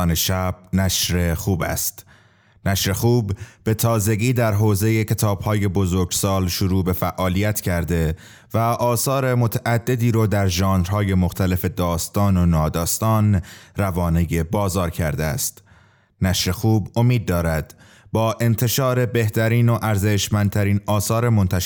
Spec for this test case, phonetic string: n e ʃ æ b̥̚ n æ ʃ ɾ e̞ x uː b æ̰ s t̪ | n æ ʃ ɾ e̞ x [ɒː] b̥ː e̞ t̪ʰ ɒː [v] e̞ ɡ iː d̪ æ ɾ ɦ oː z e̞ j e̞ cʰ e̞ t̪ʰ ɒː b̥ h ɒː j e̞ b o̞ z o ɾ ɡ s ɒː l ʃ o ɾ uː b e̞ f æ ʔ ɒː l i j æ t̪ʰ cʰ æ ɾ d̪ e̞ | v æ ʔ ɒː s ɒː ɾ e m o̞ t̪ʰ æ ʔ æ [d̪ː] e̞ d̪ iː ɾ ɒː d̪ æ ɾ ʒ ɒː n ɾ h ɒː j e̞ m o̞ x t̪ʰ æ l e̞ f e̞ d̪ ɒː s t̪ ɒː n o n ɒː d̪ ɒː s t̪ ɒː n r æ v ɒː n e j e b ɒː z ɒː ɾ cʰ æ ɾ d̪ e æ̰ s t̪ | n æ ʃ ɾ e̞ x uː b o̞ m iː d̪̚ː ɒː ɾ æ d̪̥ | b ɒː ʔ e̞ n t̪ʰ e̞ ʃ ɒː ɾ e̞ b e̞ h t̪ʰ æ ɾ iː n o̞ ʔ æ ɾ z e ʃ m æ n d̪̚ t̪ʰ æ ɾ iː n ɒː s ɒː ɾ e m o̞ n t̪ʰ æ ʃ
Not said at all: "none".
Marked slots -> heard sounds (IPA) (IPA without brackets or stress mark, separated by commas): uː, z, d̪ː